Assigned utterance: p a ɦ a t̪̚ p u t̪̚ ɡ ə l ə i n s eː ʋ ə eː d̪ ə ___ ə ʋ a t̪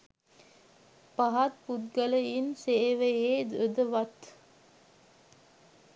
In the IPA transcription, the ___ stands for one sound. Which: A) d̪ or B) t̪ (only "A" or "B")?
A